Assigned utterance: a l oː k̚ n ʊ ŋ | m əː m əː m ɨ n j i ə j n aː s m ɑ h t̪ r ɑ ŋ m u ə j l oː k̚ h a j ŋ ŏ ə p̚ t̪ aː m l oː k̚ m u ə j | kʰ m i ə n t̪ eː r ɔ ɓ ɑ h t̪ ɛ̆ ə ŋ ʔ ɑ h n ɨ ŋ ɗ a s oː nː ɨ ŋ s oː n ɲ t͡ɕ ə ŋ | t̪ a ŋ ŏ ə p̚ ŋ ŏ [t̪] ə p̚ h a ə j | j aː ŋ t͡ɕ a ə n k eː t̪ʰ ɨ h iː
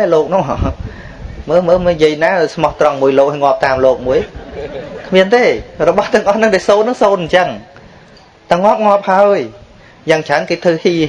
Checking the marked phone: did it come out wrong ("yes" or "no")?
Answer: yes